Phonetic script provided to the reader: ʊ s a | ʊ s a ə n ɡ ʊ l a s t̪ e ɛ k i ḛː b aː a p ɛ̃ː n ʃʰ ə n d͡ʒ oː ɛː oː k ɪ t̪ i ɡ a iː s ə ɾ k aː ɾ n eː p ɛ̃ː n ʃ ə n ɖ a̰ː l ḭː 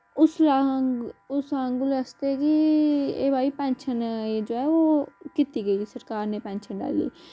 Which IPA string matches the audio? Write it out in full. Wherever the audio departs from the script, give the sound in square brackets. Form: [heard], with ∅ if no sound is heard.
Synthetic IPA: ʊ s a | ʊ s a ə [ŋ] ɡ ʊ l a s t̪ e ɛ k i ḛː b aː [i] p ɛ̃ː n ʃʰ ə n d͡ʒ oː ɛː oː k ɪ t̪ i ɡ [ə] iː s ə ɾ k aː ɾ n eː p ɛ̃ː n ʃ ə n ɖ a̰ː l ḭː